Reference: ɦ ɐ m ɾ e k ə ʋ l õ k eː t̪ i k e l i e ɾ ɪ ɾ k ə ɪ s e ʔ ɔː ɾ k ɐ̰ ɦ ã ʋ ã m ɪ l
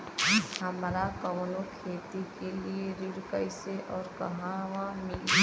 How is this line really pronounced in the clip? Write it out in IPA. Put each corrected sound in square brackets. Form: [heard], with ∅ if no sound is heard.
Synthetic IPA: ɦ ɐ m ɾ [a] k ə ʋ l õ [kʰ] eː t̪ i k e l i e ɾ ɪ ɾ k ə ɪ s e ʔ ɔː ɾ k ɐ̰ ɦ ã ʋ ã m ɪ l